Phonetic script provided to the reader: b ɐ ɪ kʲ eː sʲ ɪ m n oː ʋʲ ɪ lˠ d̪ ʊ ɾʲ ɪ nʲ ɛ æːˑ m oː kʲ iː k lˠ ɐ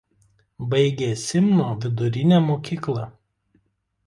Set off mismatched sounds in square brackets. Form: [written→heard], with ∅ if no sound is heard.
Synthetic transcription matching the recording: b ɐ ɪ [kʲ→ɡʲ] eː sʲ ɪ m n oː ʋʲ ɪ [lˠ→∅] d̪ ʊ ɾʲ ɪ nʲ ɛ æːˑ m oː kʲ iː k lˠ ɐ